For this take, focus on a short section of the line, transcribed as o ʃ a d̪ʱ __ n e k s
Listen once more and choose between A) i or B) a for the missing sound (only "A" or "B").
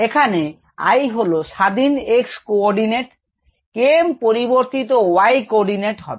A